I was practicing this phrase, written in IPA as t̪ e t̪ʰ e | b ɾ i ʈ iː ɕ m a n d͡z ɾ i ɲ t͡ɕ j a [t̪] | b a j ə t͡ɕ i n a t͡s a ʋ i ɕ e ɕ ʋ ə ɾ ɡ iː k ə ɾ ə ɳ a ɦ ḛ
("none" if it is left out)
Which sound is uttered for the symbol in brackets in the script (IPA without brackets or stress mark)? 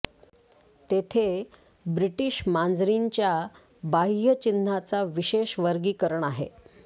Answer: none